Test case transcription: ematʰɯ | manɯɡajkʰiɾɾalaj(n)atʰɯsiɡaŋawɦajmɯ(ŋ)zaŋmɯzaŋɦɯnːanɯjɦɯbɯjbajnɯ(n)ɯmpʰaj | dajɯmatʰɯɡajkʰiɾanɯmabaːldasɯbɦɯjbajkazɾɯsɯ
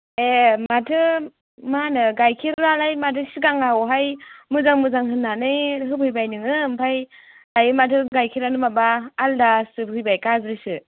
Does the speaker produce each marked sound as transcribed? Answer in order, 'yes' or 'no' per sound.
no, no, no

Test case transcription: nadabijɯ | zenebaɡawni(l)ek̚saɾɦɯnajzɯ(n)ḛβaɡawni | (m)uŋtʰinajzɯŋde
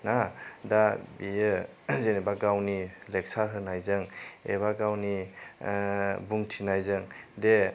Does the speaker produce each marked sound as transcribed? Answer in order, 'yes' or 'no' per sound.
yes, no, no

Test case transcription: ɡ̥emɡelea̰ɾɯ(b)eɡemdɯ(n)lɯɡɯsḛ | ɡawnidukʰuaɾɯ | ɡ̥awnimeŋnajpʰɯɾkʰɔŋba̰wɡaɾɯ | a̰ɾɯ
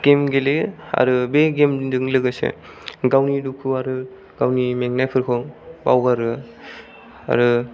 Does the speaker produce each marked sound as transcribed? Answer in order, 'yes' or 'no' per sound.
yes, no

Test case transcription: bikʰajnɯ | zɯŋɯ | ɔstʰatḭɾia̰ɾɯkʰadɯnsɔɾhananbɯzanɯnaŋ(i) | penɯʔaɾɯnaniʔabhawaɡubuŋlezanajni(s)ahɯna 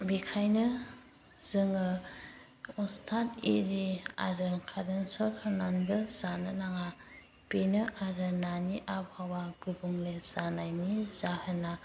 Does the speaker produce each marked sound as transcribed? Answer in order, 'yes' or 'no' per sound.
no, no

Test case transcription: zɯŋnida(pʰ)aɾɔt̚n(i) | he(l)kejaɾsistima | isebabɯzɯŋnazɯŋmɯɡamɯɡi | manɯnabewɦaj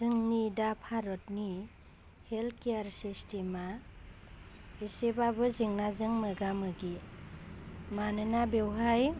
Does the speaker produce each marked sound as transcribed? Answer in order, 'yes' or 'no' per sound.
yes, yes, yes

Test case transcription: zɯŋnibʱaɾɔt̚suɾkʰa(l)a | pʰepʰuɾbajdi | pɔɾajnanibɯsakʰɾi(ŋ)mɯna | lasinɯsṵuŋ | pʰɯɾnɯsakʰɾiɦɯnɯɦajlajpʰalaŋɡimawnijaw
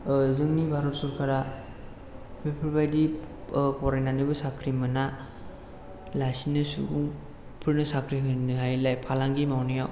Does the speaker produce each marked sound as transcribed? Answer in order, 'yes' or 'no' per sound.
no, no

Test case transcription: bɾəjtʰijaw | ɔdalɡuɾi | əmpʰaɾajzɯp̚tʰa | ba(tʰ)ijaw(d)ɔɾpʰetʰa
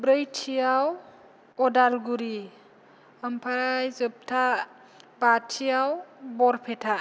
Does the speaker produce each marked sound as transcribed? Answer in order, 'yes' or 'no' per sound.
yes, no

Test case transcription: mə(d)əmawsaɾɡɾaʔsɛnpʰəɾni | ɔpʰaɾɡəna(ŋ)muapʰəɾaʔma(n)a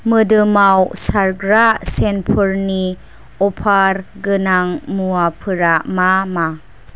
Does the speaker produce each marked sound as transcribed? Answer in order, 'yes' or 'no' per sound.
yes, yes, no

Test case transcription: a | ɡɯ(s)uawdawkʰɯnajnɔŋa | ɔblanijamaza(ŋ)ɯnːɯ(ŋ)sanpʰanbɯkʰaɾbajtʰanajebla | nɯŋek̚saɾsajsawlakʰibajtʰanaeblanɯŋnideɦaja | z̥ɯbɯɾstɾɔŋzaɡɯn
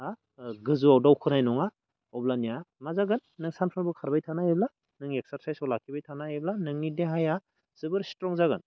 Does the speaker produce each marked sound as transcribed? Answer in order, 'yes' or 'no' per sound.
no, no, yes

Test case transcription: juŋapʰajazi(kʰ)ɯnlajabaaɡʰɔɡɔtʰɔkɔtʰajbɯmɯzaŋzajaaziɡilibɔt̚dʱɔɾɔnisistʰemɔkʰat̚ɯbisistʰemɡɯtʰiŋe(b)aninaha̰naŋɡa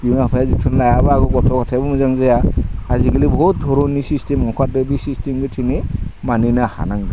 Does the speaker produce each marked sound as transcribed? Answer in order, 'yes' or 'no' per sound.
no, no

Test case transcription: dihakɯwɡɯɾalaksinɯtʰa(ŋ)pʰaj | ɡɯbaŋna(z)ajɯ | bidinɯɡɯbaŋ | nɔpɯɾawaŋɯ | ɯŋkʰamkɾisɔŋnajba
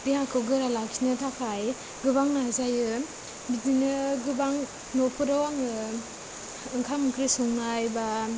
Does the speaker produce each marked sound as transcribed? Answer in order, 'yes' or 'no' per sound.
no, yes

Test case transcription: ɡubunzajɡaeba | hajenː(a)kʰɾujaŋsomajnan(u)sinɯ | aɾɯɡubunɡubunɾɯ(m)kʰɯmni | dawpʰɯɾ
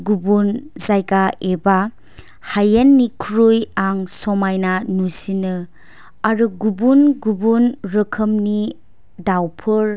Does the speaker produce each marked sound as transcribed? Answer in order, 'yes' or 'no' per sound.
no, yes, no

